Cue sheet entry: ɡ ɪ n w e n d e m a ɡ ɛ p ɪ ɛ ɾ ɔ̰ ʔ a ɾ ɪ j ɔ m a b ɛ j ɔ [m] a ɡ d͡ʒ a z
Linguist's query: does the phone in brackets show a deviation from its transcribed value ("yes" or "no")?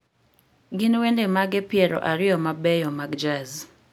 no